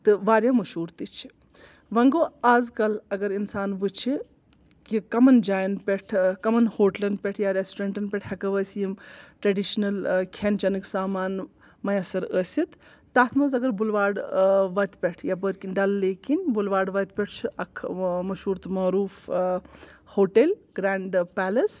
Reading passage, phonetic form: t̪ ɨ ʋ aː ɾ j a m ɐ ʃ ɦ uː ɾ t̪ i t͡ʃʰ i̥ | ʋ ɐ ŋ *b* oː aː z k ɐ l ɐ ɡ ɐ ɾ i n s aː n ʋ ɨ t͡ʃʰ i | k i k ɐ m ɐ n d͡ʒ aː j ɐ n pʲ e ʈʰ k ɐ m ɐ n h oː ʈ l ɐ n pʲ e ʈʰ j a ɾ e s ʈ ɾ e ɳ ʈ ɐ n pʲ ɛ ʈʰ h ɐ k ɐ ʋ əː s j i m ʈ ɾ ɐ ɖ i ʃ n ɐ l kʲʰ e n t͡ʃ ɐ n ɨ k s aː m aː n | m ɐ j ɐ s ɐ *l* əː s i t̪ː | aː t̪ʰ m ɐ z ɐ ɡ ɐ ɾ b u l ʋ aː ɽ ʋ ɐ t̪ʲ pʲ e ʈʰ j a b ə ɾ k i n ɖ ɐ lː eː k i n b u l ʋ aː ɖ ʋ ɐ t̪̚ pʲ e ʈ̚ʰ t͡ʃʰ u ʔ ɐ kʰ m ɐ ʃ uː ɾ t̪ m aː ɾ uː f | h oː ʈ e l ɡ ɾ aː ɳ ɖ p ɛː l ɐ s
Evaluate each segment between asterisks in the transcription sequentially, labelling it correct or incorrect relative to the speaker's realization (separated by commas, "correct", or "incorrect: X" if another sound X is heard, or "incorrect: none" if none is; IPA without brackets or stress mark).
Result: incorrect: ɡ, incorrect: ɾ